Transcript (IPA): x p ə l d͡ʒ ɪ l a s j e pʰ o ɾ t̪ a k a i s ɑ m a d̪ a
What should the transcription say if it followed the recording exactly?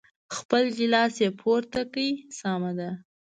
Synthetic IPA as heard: x p ə l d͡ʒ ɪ l ɑ s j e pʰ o ɾ t̪ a k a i s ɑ m a d̪ a